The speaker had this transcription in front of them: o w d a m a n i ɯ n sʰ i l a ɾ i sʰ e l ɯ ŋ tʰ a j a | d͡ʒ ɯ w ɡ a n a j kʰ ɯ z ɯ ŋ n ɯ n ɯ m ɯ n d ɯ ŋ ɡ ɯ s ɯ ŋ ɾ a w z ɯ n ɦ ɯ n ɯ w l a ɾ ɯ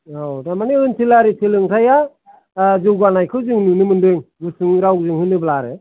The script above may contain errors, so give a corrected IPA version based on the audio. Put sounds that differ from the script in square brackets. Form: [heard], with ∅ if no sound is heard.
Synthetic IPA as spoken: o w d a m a n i ɯ n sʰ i l a ɾ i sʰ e l ɯ ŋ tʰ a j a | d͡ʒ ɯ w ɡ a n a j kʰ ɯ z ɯ ŋ n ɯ n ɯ m ɯ n d ɯ ŋ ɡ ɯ s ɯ ŋ ɾ a w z ɯ [ŋ] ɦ ɯ n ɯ [b] l a ɾ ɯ